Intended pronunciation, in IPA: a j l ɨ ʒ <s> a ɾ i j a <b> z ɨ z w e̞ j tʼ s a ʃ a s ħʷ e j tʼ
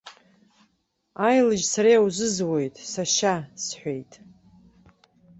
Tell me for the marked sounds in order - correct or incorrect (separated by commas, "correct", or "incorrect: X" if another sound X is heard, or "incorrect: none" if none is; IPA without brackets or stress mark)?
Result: correct, incorrect: w